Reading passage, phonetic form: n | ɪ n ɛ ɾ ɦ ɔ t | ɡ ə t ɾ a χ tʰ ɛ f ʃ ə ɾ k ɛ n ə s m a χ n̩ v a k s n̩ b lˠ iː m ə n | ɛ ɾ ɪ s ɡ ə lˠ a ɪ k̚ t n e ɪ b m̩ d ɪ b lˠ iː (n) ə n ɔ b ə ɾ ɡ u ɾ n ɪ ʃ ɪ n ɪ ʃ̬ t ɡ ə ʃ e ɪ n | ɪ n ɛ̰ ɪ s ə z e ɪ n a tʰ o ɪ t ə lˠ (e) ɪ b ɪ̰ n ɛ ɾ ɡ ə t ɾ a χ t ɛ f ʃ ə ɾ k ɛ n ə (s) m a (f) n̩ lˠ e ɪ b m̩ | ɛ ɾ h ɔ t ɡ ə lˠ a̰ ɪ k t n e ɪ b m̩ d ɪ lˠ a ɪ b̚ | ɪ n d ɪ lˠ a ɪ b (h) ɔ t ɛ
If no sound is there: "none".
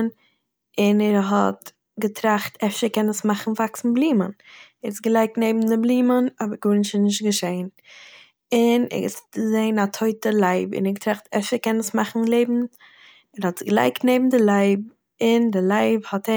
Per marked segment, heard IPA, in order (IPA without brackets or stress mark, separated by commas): m, a, s, χ, h